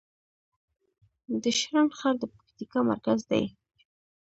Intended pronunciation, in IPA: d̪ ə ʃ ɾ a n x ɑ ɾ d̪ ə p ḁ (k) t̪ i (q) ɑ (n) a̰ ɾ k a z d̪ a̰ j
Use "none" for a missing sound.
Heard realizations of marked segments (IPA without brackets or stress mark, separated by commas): k, k, m